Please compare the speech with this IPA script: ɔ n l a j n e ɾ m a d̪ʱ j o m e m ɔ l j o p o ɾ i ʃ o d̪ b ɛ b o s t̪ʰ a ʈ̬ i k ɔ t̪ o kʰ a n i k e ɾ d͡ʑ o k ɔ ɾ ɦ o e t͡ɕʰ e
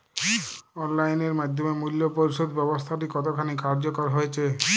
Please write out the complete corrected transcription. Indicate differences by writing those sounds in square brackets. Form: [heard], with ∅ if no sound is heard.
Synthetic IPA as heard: ɔ n l a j n e ɾ m a d̪ʱ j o m e m [u] l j o p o ɾ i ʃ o d̪ b ɛ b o s t̪ʰ a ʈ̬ i k ɔ t̪ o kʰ a n i k [a] ɾ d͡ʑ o k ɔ ɾ ɦ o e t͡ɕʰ e